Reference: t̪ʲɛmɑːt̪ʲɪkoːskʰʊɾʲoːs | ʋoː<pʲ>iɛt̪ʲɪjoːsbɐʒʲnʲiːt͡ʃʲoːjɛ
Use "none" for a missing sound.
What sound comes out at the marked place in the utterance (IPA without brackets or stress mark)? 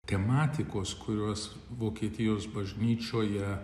kʲ